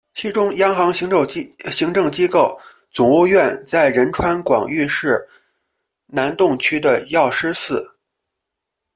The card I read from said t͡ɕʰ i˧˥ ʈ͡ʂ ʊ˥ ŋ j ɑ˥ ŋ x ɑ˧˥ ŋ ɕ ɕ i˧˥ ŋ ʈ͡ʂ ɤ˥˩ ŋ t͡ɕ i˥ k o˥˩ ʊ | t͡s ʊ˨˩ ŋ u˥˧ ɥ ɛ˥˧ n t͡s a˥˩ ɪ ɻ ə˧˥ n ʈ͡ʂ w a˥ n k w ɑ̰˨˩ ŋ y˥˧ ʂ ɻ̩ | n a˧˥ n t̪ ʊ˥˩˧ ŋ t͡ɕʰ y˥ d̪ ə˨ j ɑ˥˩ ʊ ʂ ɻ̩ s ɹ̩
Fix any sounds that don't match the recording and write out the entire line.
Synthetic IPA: t͡ɕʰ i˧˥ ʈ͡ʂ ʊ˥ ŋ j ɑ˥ ŋ x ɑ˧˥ ŋ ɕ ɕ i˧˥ ŋ ʈ͡ʂ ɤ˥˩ ŋ t͡ɕ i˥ k o˥˩ ʊ | t͡s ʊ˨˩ ŋ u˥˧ ɥ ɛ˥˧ n t͡s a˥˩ ɪ ɻ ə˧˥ n ʈ͡ʂʰ w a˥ n k w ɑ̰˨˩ ŋ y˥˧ ʂ ɻ̩ | n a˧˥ n t̪ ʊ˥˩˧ ŋ t͡ɕʰ y˥ d̪ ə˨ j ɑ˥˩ ʊ ʂ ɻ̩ s ɹ̩